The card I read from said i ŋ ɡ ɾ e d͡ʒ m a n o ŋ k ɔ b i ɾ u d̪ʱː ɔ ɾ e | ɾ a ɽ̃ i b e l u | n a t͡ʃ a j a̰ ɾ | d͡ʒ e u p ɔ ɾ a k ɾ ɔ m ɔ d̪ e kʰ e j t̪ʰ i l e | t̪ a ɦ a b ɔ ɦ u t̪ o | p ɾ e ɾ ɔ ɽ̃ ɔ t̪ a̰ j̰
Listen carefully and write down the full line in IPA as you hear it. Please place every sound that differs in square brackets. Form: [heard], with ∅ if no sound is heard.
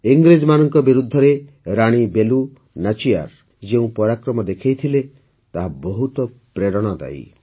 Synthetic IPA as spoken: i ŋ ɡ ɾ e d͡ʒ m a n [ɔ] ŋ k ɔ b i ɾ u d̪ʱː ɔ ɾ e | ɾ a ɽ̃ i b e l u | n a t͡ʃ [i] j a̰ ɾ | d͡ʒ e [ũ] p ɔ ɾ a k ɾ ɔ m ɔ d̪ e kʰ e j t̪ʰ i l e | t̪ a ɦ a b ɔ ɦ u t̪ [ɔ] | p ɾ e ɾ ɔ ɽ̃ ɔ [d̪] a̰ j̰